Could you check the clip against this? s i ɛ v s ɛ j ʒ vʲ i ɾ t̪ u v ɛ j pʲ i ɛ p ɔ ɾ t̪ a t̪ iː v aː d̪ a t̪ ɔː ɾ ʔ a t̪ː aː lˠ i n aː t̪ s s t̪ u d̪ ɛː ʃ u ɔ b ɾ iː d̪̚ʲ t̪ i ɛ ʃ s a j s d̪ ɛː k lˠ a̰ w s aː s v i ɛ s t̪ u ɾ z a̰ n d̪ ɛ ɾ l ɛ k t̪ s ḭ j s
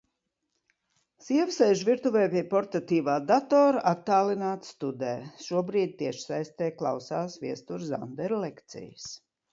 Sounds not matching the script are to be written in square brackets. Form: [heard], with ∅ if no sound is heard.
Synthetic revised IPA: s i ɛ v s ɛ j ʒ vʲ i ɾ t̪ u v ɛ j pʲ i ɛ p ɔ ɾ t̪ a t̪ iː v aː d̪ a t̪ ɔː ɾ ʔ a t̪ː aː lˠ i n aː t̪ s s t̪ u d̪ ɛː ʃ u ɔ b ɾ iː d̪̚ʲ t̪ i ɛ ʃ s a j s [t̪] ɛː k lˠ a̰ w s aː s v i ɛ s t̪ u ɾ z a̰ n d̪ ɛ ɾ l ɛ k t̪ s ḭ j s